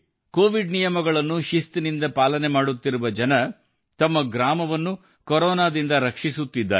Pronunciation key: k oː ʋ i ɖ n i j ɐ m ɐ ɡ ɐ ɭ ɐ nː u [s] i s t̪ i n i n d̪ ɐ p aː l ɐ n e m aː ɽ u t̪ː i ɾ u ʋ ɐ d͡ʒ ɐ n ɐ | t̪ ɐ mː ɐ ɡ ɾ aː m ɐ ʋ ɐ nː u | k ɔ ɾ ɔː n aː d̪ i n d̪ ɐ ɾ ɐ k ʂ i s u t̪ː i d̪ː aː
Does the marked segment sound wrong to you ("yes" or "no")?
yes